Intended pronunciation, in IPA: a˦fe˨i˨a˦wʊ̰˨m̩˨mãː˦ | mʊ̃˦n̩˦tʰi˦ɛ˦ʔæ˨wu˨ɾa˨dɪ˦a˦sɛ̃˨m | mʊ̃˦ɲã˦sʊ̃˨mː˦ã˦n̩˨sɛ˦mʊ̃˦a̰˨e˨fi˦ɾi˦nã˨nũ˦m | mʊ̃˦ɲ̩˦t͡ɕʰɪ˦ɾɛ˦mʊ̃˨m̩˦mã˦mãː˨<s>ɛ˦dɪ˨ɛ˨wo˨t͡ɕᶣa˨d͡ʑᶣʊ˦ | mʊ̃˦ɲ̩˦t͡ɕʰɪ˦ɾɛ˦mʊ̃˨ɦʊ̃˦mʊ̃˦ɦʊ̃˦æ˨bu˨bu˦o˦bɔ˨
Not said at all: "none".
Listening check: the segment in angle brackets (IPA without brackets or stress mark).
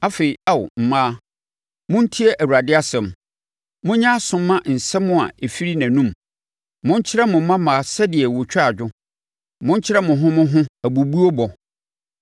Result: s